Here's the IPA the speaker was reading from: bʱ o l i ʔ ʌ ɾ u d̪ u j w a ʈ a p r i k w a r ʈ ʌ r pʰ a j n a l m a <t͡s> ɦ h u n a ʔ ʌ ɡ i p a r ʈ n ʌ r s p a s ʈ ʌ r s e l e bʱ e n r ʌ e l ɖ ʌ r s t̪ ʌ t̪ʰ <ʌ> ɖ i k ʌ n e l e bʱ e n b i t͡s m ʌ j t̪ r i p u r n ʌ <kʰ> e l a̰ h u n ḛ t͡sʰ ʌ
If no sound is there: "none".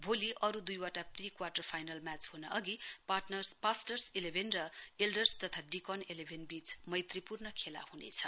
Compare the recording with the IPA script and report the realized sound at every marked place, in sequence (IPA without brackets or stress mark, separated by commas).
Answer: t͡s, a, kʰ